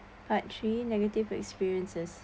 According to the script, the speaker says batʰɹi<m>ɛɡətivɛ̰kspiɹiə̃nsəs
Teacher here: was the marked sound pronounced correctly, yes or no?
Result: no